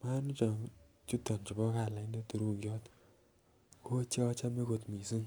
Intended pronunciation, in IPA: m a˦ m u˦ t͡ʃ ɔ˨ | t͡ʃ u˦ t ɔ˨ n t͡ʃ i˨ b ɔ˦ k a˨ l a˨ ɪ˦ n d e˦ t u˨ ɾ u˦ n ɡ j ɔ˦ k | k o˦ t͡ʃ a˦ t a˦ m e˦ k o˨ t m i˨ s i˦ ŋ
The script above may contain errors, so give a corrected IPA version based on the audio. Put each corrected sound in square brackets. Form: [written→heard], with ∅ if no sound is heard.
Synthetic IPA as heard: m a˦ [m→n] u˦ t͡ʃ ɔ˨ | t͡ʃ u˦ t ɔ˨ n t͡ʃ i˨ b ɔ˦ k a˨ l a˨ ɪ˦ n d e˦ t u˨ ɾ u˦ [n→ŋ] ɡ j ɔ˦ [k→t] | k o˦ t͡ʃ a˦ [t→t͡ʃ] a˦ m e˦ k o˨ t m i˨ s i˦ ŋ